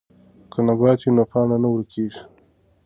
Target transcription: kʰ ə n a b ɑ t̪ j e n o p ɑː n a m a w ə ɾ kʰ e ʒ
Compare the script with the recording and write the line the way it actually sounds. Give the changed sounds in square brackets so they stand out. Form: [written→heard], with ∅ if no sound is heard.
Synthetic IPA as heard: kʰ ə n a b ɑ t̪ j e n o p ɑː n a [m→n] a w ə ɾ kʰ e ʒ